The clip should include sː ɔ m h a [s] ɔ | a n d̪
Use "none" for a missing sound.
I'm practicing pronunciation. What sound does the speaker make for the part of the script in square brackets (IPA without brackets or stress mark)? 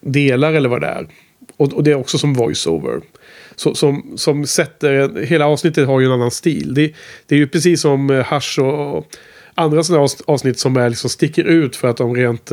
ʂ